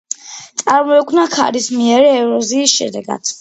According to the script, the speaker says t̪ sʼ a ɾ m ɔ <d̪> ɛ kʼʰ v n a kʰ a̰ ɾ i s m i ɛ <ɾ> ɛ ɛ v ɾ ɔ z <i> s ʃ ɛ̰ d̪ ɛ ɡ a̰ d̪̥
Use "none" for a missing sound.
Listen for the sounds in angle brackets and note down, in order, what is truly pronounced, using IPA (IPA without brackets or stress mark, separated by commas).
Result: none, ɾ, iː